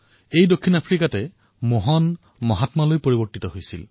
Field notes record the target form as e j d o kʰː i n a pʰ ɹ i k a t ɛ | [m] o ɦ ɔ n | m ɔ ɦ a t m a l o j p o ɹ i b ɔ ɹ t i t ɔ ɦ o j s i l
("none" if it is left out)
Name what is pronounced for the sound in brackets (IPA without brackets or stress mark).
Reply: m